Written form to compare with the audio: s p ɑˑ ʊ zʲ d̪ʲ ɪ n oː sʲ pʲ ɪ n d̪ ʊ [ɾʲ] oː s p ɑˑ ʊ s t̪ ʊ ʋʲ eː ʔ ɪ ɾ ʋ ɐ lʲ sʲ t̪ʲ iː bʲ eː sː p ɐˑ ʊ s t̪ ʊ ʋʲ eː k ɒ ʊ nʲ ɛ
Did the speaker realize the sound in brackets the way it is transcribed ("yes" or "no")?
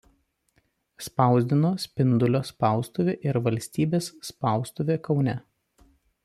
no